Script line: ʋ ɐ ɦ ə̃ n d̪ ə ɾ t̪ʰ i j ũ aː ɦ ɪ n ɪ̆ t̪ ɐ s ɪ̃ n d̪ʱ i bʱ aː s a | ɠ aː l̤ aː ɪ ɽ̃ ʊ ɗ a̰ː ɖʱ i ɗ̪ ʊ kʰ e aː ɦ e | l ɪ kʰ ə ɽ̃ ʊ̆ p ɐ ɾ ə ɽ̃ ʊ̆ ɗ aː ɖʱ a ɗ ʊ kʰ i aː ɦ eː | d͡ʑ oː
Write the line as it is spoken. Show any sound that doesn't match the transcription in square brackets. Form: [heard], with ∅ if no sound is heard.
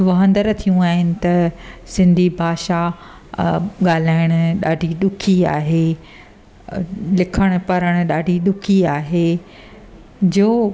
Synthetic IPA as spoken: ʋ ɐ ɦ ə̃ n d̪ ə ɾ t̪ʰ i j ũ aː ɦ ɪ n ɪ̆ t̪ ɐ s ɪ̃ n d̪ʱ i bʱ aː [ʃ] a | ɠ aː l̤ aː ɪ ɽ̃ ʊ ɗ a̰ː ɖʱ i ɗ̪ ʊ kʰ [i] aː ɦ e | l ɪ kʰ ə ɽ̃ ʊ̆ p ɐ ɾ ə ɽ̃ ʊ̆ ɗ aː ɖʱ [i] ɗ ʊ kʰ i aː ɦ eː | d͡ʑ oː